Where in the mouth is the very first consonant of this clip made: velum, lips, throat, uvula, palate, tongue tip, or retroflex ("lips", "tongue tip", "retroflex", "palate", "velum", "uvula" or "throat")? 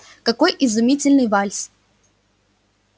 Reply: velum